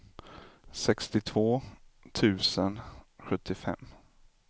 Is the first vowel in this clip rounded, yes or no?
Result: no